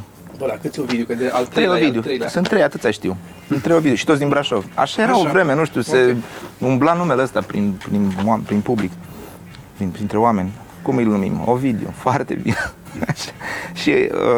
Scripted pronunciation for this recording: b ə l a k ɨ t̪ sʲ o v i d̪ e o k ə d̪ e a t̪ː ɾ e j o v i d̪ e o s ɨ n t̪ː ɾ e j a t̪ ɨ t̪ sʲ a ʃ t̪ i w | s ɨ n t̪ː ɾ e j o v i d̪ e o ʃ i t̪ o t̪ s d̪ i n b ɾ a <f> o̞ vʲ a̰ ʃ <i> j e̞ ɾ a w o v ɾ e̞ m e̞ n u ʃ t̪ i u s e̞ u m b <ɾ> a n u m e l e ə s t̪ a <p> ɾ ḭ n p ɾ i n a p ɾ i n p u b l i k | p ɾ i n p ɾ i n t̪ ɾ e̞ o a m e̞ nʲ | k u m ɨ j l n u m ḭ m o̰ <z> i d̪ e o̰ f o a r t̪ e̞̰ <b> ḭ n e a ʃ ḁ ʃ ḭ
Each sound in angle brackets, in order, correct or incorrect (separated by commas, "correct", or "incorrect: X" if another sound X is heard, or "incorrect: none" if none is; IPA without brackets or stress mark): incorrect: ʃ, incorrect: a, incorrect: l, correct, incorrect: v, correct